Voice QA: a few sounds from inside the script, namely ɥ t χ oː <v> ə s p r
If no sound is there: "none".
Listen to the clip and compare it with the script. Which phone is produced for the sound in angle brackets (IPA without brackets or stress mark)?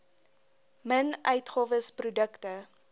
v